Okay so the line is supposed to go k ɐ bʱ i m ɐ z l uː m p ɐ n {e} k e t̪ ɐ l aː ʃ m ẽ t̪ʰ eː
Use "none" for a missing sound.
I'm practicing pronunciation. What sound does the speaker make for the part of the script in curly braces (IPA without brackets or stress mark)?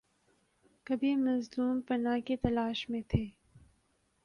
a